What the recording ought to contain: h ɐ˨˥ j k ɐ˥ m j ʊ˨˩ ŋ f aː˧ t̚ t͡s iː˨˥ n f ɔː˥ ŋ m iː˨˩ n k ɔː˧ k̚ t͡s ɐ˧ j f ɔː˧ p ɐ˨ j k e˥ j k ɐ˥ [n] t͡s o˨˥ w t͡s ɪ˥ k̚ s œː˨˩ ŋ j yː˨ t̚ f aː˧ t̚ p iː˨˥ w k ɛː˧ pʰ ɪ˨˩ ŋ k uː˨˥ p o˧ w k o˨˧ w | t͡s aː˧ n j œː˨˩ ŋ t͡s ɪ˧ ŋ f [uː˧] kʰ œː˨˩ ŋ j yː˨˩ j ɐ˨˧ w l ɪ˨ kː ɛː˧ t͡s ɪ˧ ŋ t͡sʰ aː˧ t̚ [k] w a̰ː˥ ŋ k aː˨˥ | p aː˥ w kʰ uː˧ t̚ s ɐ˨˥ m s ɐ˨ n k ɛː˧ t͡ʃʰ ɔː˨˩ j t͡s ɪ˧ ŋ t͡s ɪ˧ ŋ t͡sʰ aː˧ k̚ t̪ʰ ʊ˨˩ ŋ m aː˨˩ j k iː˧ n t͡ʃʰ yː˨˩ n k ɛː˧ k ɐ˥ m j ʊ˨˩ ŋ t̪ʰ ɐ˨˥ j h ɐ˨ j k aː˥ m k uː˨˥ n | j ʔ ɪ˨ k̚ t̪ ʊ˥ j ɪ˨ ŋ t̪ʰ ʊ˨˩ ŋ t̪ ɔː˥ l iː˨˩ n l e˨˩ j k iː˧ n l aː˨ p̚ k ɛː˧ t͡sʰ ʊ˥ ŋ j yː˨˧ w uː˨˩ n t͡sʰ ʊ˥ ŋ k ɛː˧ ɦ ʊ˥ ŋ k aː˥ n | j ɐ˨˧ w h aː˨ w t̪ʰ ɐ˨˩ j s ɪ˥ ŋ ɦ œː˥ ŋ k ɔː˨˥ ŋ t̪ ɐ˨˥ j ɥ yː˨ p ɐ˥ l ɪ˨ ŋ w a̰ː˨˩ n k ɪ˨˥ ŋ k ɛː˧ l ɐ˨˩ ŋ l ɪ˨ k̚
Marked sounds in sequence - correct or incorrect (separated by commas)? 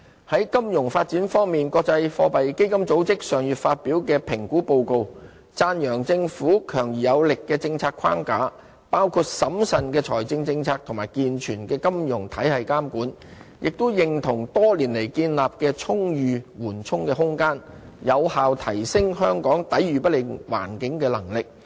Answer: incorrect, incorrect, incorrect